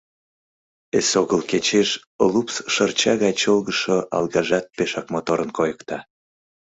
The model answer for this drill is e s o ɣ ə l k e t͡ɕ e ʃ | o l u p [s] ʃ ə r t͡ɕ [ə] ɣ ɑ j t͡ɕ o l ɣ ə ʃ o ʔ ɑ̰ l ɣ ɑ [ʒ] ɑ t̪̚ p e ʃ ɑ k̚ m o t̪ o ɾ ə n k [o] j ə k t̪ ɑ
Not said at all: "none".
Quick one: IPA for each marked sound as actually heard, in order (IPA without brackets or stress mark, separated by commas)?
s, ɑ, ʒ, o